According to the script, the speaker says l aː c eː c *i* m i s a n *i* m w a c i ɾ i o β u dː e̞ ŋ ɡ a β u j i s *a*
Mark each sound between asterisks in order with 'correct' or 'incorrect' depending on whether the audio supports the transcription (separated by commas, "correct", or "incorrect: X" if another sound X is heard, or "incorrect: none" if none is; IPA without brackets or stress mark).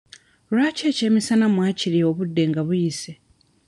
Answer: incorrect: e, incorrect: a, incorrect: e